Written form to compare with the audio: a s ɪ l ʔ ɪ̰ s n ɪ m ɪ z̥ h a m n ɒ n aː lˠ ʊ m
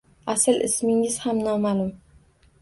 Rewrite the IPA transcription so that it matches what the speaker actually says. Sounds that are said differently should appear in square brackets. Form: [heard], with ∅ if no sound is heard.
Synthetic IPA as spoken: a s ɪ l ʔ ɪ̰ s [m] ɪ [ŋ] ɪ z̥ h a m n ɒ [m] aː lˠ ʊ m